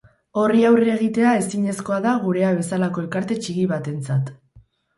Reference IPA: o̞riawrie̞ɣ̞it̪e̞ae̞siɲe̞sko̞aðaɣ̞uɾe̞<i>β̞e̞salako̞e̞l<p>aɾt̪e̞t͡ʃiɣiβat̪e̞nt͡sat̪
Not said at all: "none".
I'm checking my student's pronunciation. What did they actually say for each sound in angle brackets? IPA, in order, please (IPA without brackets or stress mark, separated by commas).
a, k